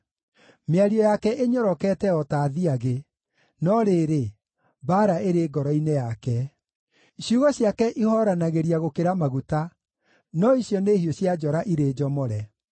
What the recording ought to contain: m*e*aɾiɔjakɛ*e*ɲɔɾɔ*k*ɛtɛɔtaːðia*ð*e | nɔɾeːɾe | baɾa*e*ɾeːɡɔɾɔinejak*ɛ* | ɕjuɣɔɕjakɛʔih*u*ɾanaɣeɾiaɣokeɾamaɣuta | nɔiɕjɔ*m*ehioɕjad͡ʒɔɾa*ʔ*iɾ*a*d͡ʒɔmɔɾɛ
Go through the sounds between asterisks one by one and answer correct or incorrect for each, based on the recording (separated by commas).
correct, correct, correct, incorrect, correct, correct, incorrect, incorrect, correct, incorrect